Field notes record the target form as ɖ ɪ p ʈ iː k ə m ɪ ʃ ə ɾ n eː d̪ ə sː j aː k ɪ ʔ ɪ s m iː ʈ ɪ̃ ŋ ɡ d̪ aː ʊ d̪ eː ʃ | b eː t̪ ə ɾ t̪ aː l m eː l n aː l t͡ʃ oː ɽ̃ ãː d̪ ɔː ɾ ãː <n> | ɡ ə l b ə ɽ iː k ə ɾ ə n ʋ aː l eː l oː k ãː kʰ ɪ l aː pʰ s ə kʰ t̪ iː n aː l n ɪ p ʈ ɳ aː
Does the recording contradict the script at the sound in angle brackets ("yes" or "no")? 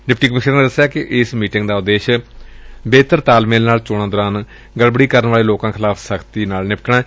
no